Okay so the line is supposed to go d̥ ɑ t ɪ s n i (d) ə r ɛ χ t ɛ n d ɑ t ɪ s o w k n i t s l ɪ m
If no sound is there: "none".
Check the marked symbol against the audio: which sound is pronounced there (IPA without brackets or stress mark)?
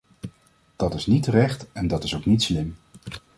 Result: t